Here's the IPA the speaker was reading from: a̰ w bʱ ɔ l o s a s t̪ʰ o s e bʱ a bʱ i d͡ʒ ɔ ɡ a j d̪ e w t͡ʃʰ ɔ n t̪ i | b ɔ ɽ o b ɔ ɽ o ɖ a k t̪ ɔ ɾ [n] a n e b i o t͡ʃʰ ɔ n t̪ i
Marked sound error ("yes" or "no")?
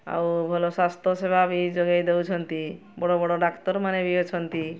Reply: yes